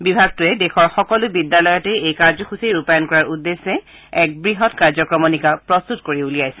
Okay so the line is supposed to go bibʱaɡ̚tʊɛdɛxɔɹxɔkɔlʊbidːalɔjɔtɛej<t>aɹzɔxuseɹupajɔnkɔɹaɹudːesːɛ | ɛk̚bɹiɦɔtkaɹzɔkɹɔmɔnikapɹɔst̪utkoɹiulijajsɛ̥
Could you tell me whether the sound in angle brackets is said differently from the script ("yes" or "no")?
yes